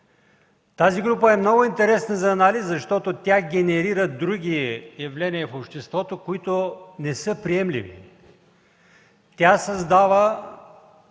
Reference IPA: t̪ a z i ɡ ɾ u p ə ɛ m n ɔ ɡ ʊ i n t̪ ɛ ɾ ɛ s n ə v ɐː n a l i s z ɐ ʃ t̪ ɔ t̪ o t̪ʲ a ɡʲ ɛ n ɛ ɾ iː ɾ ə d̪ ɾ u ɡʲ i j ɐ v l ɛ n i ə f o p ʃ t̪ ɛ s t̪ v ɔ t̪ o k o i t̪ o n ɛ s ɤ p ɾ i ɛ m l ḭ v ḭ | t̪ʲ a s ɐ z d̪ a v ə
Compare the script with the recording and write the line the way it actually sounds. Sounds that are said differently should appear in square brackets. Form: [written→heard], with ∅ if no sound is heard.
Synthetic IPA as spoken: t̪ a z i ɡ ɾ u p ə ɛ m n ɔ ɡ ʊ i n t̪ ɛ ɾ ɛ s n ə [v→z] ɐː n a l i s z ɐ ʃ t̪ ɔ t̪ o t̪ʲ a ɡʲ ɛ n ɛ ɾ [iː→i] ɾ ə d̪ ɾ u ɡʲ i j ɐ v l ɛ n i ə f o p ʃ t̪ ɛ s t̪ v ɔ t̪ o k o i t̪ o n ɛ s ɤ p ɾ i ɛ m l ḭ v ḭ | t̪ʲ a s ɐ z d̪ a v ə